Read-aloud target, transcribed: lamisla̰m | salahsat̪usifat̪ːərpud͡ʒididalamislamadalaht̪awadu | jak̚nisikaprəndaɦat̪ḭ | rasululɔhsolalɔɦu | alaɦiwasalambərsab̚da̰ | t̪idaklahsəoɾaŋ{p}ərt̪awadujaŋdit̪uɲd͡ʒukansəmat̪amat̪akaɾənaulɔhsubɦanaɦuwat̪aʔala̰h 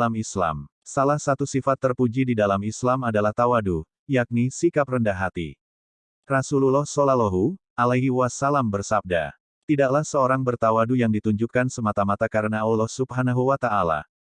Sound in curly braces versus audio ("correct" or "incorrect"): incorrect